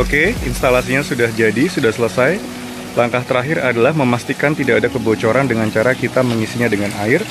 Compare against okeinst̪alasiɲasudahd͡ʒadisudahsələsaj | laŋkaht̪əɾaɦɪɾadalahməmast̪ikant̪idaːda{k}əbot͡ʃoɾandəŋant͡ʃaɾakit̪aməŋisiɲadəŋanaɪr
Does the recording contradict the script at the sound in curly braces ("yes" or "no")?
no